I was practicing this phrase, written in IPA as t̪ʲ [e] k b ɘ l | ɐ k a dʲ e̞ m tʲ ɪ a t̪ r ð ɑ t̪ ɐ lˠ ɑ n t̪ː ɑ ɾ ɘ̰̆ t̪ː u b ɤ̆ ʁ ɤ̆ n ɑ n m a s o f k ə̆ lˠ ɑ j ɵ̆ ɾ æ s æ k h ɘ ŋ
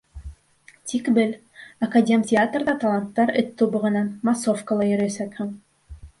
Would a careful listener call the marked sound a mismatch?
yes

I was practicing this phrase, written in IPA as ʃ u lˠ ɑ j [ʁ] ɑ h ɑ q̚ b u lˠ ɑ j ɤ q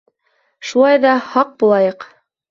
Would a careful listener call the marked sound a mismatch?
yes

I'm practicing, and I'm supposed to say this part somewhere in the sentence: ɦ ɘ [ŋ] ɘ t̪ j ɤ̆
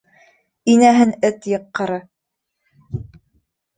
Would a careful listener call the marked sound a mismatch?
yes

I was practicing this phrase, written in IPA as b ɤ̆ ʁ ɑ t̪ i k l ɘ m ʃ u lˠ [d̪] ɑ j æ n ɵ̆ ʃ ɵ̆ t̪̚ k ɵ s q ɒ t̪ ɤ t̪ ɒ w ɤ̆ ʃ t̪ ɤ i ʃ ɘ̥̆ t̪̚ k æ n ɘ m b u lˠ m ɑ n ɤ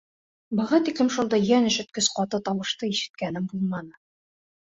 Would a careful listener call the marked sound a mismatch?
no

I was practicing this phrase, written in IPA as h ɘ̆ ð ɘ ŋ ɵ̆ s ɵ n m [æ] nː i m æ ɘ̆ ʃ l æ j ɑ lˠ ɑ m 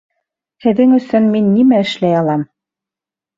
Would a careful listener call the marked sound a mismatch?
yes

